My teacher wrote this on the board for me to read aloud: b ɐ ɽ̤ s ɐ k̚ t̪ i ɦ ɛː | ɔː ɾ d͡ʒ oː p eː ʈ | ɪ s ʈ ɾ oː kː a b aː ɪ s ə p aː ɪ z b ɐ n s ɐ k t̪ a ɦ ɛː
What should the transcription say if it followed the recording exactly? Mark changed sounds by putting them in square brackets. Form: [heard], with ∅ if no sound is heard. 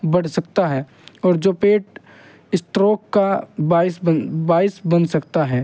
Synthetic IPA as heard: b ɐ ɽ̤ s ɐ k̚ t̪ [a] ɦ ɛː | ɔː ɾ d͡ʒ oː p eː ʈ | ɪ s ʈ ɾ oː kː a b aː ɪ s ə [b] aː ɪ [s] b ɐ n s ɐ k t̪ a ɦ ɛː